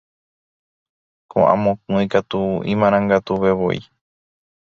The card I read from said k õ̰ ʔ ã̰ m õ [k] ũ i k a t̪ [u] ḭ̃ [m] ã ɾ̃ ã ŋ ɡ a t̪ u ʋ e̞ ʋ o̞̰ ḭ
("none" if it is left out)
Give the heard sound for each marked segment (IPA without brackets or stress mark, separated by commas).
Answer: k, u, m